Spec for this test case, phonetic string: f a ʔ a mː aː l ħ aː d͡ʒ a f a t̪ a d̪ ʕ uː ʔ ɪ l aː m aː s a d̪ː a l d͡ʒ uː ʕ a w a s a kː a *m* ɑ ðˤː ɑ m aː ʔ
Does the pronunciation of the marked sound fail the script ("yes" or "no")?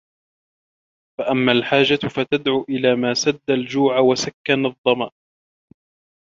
yes